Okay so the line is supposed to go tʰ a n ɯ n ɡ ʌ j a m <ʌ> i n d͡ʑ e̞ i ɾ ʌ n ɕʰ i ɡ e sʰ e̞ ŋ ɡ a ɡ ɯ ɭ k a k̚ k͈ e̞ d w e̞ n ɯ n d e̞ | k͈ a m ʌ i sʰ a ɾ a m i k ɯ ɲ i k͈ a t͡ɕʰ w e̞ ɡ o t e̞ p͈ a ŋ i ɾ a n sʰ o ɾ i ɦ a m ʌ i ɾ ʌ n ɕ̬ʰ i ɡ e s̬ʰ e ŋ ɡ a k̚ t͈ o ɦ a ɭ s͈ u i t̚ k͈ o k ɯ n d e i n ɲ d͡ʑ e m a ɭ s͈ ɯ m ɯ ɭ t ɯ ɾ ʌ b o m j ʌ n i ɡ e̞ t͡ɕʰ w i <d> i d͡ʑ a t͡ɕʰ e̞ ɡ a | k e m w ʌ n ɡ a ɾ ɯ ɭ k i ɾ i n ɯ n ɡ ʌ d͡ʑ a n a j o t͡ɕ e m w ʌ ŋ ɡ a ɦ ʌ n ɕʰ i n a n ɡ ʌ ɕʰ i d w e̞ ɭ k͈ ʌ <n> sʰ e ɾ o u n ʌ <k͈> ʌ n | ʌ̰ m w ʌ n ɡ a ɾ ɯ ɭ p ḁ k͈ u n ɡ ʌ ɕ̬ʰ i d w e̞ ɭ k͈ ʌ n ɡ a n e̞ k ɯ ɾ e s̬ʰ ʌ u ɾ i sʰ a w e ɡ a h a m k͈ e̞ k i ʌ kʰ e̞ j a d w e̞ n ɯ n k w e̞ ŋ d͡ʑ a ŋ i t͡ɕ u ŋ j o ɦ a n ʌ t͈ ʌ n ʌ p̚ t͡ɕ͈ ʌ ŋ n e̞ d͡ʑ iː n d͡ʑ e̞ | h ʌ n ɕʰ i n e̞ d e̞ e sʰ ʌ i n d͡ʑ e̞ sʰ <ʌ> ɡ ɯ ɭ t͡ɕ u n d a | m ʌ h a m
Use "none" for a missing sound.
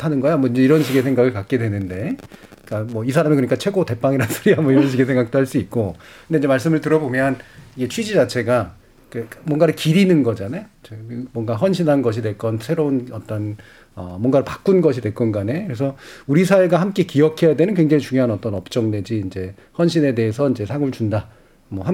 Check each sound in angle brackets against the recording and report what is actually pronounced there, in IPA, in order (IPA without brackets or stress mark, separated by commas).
ʌ, d͡ʑ, n, t͈, a